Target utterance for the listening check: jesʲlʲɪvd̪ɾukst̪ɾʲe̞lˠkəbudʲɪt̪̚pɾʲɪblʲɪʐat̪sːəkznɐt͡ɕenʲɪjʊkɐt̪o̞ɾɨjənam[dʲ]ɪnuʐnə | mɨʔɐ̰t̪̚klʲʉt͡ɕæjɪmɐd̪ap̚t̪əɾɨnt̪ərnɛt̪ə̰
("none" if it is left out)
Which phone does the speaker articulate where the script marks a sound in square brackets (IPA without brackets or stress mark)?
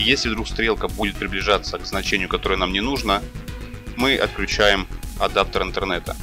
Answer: nʲ